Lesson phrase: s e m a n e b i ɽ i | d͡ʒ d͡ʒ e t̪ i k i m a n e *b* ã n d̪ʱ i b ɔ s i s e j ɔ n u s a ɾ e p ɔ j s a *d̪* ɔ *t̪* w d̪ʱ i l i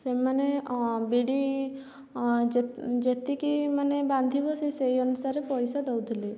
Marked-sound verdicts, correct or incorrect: correct, correct, incorrect: none

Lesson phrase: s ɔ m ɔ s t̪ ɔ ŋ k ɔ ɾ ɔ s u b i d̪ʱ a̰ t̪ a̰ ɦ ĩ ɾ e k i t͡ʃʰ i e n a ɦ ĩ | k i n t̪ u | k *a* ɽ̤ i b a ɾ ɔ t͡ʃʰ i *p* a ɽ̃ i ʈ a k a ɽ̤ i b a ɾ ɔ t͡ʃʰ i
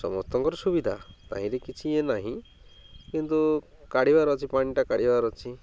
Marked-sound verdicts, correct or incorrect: correct, correct

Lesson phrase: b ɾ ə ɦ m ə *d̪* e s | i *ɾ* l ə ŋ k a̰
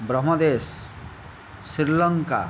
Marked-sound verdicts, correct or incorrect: correct, correct

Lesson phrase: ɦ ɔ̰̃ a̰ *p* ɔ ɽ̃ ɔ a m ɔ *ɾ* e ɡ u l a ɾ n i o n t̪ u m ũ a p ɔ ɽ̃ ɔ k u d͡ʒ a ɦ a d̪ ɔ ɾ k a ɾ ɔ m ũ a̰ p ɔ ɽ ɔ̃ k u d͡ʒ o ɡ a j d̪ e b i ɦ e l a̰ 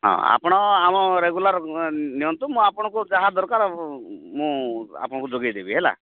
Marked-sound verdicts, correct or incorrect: correct, correct

